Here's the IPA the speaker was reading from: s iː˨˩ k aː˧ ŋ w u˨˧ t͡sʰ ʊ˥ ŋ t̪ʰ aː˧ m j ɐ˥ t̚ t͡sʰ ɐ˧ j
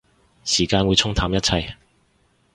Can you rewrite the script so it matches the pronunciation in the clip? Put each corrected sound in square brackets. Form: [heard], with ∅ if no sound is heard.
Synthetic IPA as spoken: s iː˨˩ k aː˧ [n] w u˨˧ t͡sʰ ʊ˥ ŋ t̪ʰ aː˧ m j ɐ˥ t̚ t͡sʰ ɐ˧ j